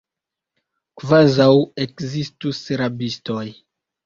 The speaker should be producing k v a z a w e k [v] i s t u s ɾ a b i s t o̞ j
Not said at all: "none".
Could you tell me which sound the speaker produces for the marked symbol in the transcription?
z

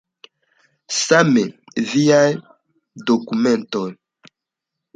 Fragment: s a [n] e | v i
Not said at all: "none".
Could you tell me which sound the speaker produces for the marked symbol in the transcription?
m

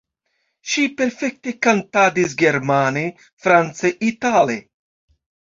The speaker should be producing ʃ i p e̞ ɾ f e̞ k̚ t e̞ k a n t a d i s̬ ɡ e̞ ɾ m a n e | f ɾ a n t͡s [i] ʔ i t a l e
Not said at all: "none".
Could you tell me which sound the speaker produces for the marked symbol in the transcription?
e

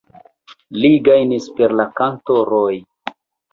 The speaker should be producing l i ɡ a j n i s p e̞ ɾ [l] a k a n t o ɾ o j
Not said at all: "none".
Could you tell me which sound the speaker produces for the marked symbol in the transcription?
l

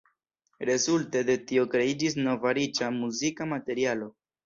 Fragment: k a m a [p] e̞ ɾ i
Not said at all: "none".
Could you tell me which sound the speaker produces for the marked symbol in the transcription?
t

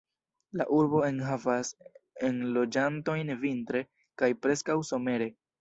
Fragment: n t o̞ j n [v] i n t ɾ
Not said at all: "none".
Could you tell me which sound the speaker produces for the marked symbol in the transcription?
v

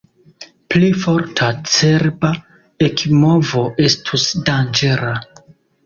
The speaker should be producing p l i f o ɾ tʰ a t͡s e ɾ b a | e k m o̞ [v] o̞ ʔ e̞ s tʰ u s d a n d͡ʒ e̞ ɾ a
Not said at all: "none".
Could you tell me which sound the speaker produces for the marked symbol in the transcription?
v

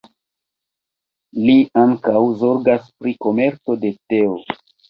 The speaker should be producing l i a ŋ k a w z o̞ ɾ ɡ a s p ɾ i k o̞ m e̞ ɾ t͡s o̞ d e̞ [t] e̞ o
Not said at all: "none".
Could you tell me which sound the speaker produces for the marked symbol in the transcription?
t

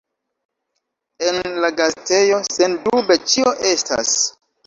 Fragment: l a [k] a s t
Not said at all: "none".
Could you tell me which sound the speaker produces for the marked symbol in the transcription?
ɡ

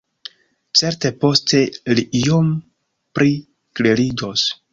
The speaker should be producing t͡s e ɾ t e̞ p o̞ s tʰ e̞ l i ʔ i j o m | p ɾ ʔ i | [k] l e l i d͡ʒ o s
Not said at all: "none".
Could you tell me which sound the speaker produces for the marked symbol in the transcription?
k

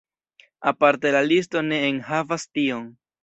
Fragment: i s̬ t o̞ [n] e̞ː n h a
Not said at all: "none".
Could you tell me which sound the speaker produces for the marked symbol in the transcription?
n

